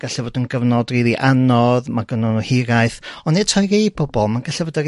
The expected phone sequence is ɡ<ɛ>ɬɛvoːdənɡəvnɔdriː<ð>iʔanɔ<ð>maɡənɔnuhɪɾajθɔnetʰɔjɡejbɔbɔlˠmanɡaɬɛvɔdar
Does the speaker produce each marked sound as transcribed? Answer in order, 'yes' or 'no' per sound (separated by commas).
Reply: no, yes, yes